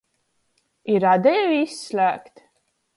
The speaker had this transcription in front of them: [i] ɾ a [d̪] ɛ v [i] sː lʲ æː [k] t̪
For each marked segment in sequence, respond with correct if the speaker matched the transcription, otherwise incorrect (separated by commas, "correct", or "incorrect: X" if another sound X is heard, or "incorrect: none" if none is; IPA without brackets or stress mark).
correct, correct, correct, correct